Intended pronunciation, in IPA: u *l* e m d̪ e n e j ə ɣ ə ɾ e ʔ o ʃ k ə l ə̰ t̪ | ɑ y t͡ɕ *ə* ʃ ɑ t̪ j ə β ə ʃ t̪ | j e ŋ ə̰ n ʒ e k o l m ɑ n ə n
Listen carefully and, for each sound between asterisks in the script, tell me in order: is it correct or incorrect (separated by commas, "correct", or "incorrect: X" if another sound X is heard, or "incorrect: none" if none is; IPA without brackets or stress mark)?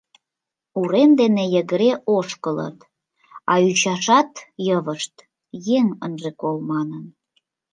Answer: incorrect: ɾ, incorrect: ɑ